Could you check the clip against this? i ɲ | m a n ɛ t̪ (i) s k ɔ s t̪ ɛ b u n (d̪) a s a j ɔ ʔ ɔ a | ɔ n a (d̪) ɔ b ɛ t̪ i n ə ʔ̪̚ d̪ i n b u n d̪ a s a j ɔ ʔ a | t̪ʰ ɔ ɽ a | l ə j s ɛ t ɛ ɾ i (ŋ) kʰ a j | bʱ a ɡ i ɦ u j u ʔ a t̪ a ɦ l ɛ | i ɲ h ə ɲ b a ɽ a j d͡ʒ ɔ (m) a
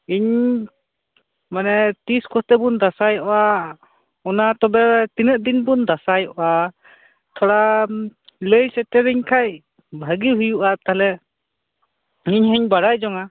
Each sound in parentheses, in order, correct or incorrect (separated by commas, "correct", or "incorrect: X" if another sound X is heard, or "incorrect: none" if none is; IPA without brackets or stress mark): correct, correct, incorrect: t̪, incorrect: ɲ, incorrect: ŋ